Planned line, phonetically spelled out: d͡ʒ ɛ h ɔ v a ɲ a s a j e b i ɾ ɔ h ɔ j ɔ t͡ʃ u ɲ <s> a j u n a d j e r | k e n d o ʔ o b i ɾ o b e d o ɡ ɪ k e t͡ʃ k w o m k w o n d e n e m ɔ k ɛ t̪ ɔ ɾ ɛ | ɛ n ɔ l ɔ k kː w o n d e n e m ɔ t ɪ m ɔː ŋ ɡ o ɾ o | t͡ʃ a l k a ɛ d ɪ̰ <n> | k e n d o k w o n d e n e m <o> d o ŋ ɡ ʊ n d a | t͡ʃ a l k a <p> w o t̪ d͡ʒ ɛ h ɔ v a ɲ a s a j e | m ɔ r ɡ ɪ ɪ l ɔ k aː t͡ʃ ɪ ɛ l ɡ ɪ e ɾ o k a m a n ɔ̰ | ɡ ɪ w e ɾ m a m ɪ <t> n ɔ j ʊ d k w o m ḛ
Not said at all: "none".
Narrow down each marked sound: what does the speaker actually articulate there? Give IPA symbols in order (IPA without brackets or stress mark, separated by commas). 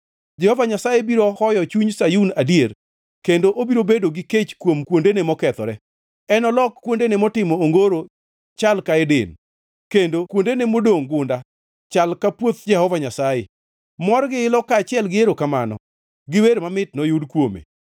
s, n, o, p, t